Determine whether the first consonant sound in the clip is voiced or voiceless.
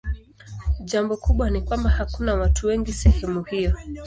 voiced